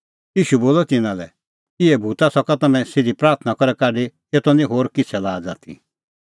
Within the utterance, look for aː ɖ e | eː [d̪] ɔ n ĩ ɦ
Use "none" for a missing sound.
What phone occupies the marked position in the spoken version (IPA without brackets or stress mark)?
t̪